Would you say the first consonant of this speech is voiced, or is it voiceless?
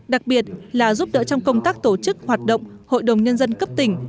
voiced